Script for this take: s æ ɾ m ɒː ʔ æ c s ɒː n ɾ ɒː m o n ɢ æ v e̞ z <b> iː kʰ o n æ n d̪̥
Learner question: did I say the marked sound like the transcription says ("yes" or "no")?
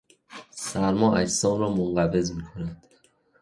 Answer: no